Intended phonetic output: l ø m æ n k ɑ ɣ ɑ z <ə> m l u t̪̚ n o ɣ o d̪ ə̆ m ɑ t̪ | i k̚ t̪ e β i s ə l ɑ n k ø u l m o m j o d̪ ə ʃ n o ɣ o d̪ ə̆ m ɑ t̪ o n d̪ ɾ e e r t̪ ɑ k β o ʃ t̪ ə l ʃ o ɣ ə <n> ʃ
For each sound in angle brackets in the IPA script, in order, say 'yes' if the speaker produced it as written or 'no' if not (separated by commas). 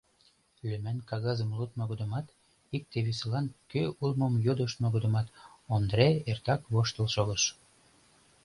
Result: yes, no